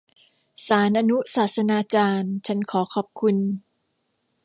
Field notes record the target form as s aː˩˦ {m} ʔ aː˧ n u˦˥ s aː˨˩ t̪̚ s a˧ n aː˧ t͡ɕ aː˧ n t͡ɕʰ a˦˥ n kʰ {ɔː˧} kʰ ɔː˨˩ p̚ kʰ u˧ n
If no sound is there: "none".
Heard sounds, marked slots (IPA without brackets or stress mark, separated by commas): n, ɔː˩˦